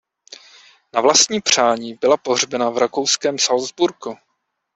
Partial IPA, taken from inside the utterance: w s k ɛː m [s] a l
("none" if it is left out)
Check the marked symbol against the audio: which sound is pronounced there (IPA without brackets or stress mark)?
s